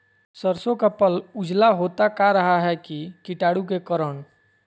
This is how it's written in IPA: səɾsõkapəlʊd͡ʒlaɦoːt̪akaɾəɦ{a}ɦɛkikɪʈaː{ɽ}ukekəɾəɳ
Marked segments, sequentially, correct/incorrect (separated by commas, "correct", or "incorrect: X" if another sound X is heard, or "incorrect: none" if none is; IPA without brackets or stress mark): correct, correct